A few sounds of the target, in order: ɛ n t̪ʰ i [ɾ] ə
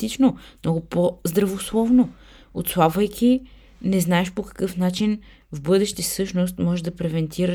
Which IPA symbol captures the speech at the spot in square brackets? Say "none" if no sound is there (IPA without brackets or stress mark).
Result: ɾ